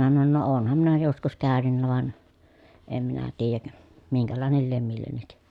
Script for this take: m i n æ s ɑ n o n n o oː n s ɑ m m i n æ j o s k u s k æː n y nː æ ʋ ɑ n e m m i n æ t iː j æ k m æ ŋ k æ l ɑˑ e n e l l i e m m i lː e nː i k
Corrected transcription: m i n æ s ɑ n o n n o oː n h ɑ m m i n æ j o s k u s k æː n y nː æ ʋ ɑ n e m m i n æ t iː j æ k m i ŋ k æ l ɑˑ e n e l l i e m m i lː e nː i k